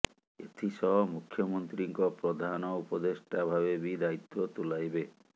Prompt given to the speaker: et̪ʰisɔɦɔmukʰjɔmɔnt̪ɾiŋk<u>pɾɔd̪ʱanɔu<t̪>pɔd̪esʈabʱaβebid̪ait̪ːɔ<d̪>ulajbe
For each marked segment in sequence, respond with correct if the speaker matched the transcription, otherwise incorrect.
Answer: incorrect: ɔ, incorrect: none, incorrect: t̪

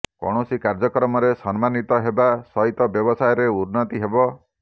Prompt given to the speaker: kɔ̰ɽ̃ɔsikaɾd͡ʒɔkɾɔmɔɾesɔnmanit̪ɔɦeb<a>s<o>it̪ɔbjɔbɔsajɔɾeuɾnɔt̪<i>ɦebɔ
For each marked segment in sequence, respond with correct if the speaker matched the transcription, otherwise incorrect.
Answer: correct, incorrect: ɔ, correct

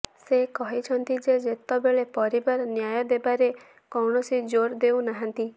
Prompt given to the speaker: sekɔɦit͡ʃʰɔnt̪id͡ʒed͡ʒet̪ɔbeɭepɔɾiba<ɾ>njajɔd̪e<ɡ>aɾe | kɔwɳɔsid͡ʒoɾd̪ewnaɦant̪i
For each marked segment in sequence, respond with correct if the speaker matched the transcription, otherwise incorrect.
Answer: correct, incorrect: b

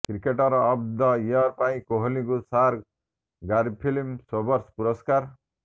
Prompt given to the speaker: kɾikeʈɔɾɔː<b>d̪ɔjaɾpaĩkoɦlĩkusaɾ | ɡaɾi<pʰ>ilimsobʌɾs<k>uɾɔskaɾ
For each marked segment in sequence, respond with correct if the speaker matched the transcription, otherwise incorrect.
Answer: correct, correct, incorrect: p

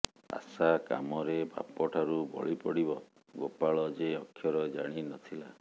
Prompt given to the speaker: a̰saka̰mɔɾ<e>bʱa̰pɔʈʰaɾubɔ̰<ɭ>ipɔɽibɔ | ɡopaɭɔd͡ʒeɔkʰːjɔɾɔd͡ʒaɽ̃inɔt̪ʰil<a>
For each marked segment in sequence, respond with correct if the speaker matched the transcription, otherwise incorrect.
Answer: correct, correct, correct

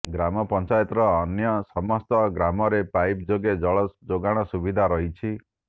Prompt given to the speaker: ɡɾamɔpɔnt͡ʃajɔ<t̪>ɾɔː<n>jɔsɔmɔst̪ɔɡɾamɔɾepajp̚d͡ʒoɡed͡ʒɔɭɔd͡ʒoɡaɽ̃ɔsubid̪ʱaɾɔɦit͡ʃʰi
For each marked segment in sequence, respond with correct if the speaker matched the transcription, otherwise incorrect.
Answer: correct, correct

